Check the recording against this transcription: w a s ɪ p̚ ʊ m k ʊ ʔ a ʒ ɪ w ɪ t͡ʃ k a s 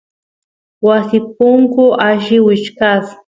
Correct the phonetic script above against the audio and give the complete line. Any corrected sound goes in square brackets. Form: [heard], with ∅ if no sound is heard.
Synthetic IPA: w a s ɪ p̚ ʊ [ŋ] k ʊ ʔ a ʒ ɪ w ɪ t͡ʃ k a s